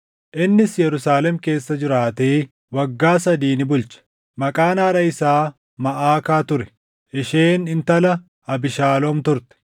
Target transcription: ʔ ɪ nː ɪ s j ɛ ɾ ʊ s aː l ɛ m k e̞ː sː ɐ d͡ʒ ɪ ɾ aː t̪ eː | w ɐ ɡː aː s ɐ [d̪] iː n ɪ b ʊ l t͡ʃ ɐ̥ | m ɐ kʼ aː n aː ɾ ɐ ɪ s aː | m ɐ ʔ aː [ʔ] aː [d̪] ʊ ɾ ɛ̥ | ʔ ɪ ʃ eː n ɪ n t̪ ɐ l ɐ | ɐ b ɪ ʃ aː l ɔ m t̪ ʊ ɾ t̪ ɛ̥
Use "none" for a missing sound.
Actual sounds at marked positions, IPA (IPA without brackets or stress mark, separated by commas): d̪, k, t̪